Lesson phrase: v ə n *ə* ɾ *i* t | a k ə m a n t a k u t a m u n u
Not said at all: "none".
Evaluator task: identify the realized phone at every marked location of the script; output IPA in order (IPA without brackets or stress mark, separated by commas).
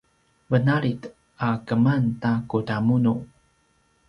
a, i